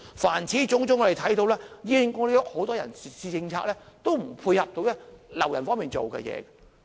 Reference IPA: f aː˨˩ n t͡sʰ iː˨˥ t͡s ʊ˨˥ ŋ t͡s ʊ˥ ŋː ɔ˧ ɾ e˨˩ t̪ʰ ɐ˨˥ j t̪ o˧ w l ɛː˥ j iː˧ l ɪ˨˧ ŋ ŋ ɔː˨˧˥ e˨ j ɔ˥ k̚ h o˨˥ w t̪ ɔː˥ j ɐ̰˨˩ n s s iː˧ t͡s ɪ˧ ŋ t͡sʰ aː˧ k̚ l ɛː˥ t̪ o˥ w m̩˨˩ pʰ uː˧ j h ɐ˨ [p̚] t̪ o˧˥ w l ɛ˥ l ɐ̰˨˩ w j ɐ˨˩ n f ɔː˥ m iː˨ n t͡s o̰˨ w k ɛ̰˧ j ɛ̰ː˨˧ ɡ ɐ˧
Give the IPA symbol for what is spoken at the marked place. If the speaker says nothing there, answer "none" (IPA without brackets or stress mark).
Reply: p̚